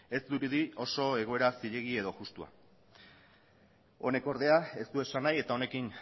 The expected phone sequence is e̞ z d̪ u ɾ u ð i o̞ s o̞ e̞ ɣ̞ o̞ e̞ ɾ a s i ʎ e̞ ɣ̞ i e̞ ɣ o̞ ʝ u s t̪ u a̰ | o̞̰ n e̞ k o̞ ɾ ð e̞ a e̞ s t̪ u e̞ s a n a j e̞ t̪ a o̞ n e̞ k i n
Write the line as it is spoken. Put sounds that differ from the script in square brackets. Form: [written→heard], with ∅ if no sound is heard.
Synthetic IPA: e̞ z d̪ u ɾ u ð i o̞ s o̞ e̞ ɣ̞ o̞ e̞ ɾ a s i ʎ e̞ ɣ̞ i e̞ [ɣ→ð] o̞ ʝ u s t̪ u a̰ | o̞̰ n e̞ k o̞ ɾ ð e̞ a e̞ s t̪ u e̞ s a n a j e̞ t̪ a o̞ n e̞ k i n